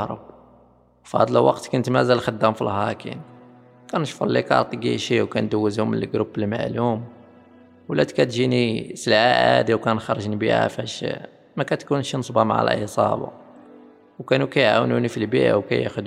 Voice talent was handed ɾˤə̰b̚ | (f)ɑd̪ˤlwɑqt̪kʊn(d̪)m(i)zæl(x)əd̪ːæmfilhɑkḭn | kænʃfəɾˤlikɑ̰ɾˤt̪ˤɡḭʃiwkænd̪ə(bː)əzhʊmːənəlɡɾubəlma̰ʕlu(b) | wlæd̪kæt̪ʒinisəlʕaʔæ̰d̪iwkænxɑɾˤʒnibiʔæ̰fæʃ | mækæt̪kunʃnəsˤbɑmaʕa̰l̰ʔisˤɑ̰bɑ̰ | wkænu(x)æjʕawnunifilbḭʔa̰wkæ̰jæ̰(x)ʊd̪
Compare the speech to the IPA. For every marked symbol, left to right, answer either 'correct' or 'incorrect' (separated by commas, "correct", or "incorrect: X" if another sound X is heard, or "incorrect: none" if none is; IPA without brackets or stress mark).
correct, incorrect: t̪, incorrect: æ, correct, incorrect: wː, incorrect: m, incorrect: k, correct